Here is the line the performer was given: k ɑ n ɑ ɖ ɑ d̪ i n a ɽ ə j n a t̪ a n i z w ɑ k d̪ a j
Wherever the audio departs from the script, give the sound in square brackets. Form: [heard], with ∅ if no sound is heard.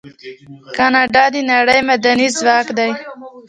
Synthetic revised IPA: k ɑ n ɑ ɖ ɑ d̪ i n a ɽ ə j [m] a [d̪] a n i z w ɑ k d̪ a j